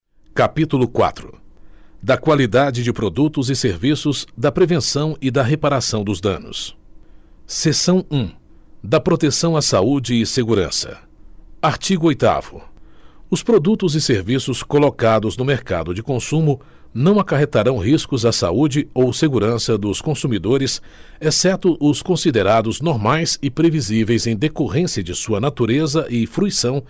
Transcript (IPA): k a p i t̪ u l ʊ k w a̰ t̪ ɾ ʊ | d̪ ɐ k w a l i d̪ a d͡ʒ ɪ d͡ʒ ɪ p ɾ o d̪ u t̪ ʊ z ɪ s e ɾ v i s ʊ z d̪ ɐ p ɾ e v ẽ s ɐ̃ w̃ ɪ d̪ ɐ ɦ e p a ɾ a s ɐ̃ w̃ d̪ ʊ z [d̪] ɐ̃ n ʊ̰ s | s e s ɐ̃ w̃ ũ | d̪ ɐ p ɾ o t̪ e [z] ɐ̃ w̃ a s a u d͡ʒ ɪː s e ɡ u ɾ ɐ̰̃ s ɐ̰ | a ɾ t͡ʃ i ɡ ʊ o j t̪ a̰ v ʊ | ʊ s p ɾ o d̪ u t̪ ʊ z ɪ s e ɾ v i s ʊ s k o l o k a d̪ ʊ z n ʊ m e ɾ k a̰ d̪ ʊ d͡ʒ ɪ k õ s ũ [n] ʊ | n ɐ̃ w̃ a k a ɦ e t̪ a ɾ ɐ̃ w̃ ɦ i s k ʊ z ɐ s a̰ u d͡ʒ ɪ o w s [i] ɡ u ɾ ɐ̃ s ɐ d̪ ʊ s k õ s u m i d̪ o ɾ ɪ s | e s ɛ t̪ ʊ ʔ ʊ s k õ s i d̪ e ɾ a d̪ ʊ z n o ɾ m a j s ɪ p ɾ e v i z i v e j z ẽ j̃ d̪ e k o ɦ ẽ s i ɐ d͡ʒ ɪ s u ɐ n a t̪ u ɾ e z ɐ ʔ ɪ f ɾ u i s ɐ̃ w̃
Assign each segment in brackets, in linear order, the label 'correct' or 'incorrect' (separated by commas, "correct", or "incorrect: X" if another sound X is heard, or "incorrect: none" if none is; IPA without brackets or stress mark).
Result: correct, incorrect: s, incorrect: m, incorrect: e